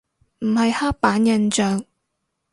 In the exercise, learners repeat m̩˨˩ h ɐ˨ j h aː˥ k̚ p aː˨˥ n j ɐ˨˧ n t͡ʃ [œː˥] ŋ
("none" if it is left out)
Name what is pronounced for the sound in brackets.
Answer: œː˨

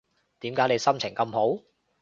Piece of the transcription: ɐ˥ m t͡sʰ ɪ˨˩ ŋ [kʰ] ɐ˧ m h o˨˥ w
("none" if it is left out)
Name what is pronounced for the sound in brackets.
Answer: k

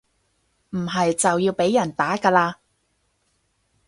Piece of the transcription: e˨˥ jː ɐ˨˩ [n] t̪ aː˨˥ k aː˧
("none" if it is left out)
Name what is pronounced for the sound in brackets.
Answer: n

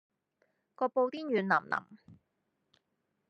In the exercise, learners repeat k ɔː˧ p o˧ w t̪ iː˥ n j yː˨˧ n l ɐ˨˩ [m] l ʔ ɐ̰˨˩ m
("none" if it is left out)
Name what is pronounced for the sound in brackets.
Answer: m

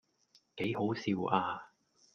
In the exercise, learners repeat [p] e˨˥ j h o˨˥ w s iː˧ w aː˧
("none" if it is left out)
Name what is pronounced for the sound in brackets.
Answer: k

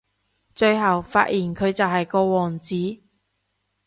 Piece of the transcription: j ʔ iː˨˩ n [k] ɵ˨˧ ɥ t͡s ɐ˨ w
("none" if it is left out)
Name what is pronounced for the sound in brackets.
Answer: kʰ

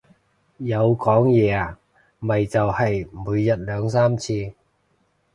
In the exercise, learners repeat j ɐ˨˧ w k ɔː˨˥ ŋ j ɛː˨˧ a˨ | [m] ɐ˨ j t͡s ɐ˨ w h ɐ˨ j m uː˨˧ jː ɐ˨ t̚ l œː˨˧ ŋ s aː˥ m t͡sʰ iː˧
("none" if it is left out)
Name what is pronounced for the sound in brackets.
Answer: m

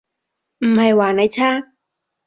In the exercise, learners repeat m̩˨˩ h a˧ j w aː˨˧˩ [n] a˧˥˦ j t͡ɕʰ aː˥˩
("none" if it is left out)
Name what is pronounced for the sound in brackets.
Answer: n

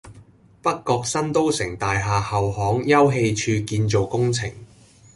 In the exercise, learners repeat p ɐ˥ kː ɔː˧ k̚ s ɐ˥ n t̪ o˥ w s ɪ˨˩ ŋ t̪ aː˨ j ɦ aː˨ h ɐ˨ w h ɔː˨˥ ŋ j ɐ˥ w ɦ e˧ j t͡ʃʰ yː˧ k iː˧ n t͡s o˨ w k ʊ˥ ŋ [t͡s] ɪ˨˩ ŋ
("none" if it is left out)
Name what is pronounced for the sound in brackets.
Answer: t͡sʰ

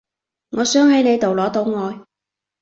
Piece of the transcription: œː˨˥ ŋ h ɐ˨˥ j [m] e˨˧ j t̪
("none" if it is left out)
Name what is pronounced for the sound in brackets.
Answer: n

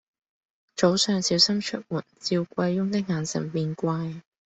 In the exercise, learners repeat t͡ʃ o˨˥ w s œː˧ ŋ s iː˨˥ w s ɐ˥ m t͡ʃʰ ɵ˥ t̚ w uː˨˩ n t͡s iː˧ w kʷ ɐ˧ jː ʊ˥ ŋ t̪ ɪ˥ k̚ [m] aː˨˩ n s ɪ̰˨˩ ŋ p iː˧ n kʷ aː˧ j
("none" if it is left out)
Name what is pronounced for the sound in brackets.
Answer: ŋ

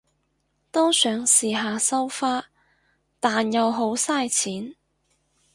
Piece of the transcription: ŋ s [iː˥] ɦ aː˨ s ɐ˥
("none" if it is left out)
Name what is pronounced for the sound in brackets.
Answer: iː˨˩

